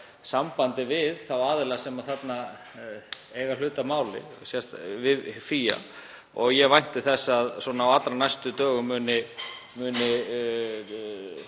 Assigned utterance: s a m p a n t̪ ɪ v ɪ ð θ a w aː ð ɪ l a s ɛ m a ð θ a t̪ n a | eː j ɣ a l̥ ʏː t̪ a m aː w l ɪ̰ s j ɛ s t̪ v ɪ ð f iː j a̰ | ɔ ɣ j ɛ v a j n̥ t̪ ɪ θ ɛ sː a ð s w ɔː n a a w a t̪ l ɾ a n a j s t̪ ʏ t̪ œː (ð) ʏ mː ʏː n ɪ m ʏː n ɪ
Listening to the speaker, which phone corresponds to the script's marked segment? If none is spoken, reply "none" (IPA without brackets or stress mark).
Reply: ɣ